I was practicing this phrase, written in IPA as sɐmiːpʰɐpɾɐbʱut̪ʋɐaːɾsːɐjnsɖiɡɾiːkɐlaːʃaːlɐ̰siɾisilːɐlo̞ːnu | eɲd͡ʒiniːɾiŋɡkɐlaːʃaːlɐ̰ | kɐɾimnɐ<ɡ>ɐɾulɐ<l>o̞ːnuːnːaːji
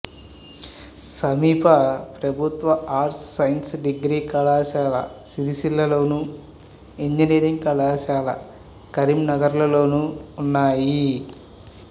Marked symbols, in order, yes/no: yes, yes

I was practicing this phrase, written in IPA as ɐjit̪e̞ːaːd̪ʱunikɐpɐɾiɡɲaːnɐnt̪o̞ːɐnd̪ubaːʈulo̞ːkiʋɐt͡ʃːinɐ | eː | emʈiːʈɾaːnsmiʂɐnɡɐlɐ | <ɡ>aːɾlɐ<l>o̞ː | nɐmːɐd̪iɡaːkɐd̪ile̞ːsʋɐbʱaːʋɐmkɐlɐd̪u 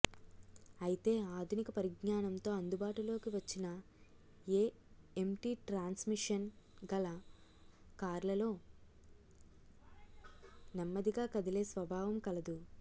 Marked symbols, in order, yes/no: no, yes

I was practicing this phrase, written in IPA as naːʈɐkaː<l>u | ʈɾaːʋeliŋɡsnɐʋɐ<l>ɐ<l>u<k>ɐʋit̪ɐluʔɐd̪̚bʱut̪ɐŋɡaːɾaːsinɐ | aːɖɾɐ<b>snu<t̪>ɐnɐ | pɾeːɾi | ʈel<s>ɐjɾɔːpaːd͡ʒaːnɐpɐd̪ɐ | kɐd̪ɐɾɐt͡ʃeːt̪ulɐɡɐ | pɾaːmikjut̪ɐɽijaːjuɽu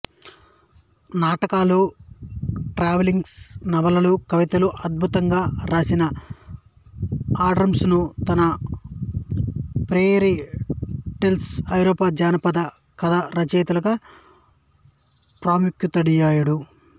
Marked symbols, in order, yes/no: yes, yes, yes, yes, no, yes, yes

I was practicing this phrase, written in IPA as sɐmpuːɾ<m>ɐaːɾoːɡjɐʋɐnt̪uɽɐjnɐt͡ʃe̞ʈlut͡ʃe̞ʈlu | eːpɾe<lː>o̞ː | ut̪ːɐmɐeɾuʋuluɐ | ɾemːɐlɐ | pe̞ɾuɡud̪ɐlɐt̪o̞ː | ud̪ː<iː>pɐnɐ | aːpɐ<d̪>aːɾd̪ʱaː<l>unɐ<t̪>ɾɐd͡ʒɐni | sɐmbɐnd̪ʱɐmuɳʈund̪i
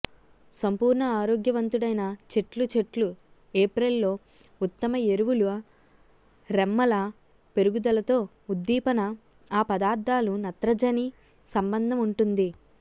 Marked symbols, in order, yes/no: no, yes, yes, yes, yes, yes

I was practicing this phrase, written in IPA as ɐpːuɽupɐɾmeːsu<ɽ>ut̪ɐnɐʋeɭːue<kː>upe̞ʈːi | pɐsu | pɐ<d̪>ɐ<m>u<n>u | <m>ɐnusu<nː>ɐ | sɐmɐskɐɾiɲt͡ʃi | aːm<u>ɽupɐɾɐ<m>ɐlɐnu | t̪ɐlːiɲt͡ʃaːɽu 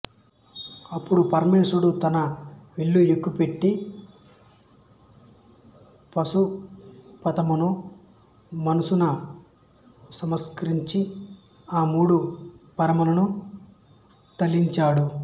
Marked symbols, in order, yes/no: yes, yes, no, yes, yes, yes, no, no, yes

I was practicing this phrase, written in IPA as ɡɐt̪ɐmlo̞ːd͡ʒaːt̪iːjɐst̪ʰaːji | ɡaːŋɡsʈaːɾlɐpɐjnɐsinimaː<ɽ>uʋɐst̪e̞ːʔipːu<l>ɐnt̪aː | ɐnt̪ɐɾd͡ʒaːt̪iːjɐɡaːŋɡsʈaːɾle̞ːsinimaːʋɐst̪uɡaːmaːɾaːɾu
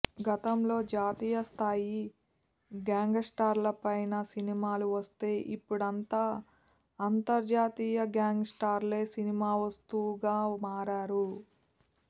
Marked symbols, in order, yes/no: no, no

